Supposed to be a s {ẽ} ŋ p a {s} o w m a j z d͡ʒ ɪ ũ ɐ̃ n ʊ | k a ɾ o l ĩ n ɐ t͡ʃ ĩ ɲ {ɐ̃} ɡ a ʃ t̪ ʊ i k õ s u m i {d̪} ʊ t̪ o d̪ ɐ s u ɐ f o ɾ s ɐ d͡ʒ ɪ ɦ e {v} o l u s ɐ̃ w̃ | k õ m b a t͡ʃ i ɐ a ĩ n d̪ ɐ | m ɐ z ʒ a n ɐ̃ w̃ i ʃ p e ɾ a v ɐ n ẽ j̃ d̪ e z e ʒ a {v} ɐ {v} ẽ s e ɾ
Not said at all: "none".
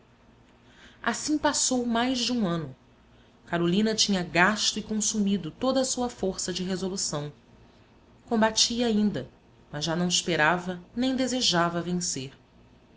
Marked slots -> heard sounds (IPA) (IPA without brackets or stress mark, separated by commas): ĩ, s, ɐ, d̪, z, v, v